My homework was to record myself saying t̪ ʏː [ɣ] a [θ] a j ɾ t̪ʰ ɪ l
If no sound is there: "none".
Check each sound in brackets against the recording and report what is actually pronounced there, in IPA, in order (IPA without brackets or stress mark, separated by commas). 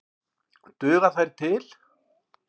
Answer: ɣ, θ